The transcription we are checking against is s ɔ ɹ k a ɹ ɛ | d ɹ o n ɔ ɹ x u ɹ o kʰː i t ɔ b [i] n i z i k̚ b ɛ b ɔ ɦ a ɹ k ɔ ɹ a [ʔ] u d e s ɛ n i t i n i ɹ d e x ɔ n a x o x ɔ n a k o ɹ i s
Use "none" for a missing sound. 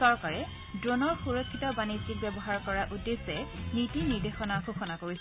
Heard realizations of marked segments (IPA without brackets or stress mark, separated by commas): a, ʔ